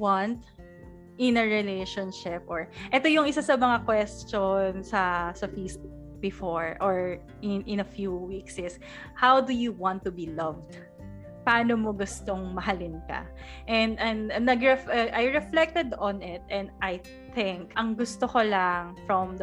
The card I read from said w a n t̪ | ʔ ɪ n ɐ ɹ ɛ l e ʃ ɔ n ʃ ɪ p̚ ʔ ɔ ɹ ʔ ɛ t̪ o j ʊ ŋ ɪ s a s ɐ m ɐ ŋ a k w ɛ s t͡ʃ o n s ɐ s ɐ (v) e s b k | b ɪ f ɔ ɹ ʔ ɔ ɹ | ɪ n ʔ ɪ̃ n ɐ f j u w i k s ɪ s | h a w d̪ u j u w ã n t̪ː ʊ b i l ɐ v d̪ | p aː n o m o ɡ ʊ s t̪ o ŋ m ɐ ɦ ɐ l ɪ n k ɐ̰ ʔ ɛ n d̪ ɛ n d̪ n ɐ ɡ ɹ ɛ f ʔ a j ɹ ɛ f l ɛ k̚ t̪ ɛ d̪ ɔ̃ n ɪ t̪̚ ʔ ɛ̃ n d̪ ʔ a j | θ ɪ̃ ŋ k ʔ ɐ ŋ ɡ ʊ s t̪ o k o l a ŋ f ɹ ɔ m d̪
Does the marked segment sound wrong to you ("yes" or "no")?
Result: yes